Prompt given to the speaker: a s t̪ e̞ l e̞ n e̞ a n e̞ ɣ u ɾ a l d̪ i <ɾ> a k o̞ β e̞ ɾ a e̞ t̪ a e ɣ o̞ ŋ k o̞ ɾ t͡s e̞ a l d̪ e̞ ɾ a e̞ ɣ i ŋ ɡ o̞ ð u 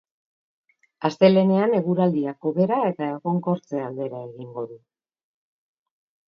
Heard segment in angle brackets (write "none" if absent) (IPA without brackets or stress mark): none